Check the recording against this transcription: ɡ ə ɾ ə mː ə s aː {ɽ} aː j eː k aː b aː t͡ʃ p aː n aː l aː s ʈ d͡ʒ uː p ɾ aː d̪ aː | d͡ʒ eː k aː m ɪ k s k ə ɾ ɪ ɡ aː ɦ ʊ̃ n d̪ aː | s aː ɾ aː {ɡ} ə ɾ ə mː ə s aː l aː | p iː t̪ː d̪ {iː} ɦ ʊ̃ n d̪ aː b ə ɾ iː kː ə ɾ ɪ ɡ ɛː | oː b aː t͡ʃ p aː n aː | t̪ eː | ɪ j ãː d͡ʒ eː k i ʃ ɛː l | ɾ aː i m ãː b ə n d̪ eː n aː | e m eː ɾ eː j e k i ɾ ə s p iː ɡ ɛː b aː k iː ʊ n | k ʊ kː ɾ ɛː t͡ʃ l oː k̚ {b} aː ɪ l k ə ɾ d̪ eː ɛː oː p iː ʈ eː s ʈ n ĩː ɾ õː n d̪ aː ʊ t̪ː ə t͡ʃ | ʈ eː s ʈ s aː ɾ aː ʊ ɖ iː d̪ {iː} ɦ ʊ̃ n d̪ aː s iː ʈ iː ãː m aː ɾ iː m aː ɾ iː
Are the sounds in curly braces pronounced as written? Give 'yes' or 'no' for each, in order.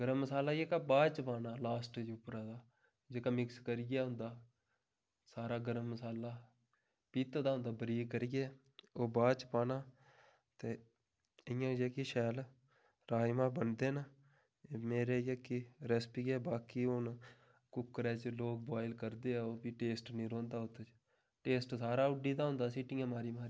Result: no, yes, no, yes, no

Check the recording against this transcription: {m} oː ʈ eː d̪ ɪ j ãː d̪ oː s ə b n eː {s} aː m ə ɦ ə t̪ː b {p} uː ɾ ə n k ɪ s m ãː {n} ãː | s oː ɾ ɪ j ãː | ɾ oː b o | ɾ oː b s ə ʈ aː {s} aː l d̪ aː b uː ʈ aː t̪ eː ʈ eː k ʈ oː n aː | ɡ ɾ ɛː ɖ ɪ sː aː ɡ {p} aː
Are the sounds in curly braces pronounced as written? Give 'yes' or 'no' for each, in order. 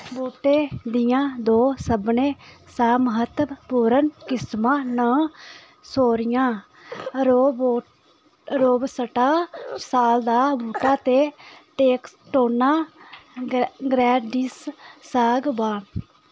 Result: no, yes, yes, yes, yes, no

